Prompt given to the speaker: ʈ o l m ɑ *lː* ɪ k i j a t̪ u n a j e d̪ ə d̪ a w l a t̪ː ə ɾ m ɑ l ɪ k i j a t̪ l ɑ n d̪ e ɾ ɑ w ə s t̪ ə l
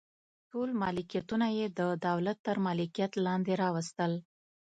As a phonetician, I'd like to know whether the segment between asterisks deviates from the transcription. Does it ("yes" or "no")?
yes